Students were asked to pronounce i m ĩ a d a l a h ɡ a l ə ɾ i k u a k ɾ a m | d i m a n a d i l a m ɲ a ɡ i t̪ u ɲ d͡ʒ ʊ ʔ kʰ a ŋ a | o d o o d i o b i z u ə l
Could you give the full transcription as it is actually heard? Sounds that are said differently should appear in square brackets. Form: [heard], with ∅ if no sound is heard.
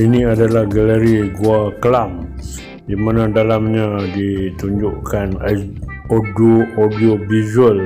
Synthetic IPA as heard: i [n] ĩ a d a l a h ɡ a l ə ɾ i [ɡ] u a k [l] a m | d i m a n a d [a] l a m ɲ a [d] i t̪ u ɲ d͡ʒ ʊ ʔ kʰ a [n] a | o d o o d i o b i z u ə l